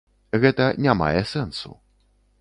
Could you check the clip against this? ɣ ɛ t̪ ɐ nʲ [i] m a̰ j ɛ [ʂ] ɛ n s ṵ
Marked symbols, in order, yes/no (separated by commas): no, no